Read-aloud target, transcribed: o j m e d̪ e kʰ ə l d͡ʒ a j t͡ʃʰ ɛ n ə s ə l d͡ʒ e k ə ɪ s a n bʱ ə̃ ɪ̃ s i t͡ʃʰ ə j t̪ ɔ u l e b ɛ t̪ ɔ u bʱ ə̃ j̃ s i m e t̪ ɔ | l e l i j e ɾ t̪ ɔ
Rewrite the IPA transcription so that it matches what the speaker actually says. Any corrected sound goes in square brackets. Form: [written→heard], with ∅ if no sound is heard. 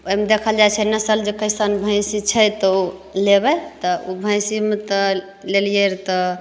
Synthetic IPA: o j m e d̪ e kʰ ə l d͡ʒ a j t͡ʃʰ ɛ n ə s ə l d͡ʒ e k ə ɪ s a n bʱ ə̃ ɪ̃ s i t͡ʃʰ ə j t̪ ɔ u l e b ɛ t̪ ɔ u bʱ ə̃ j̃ s i m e t̪ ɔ | l e l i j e ɾ t̪ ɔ